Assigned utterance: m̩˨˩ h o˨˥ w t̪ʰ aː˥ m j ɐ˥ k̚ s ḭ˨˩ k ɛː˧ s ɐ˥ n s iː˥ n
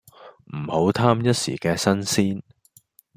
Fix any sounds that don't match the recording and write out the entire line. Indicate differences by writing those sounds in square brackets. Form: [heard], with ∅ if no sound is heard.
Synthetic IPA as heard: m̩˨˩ h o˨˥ w t̪ʰ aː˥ m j ɐ˥ [t̚] s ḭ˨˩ k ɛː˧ s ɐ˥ n s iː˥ n